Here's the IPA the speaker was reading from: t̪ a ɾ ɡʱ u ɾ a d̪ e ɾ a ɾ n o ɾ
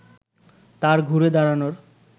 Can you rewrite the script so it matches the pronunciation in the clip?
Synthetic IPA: t̪ a ɾ ɡʱ u ɾ e d̪ a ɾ a n o ɾ